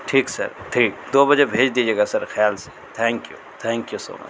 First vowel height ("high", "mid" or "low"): high